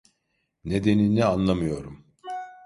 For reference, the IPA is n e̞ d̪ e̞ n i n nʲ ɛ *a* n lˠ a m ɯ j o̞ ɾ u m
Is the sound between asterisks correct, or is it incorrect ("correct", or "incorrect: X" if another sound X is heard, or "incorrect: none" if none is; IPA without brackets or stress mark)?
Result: correct